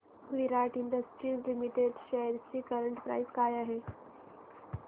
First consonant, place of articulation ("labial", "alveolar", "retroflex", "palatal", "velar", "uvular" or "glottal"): labial